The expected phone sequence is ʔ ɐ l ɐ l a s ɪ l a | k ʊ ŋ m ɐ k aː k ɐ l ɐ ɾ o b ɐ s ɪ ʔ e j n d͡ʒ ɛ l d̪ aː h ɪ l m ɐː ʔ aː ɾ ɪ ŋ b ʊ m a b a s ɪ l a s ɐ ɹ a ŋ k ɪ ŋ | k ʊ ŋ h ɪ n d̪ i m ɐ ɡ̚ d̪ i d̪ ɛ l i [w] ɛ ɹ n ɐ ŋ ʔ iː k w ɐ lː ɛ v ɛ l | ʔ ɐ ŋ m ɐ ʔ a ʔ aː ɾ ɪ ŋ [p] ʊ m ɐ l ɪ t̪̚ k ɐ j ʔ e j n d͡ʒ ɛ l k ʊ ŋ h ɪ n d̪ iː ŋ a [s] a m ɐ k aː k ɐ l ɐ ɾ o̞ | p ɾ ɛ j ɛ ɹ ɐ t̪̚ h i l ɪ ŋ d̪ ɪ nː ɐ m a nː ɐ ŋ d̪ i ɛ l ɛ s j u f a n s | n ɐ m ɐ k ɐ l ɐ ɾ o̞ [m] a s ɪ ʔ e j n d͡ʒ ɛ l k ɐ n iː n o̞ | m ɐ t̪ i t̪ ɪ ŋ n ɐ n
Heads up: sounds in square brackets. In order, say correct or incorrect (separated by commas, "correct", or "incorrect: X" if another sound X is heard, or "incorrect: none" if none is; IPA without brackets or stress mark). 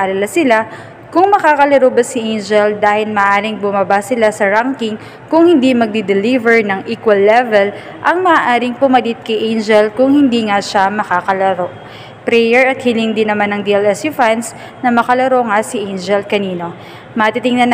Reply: incorrect: v, correct, incorrect: ʃ, incorrect: ŋ